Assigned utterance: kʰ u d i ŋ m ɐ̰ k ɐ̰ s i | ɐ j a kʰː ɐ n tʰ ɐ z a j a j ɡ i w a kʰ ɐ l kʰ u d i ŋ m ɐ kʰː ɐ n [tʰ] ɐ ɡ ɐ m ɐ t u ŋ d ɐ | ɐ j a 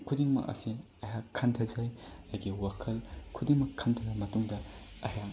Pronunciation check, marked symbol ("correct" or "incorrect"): correct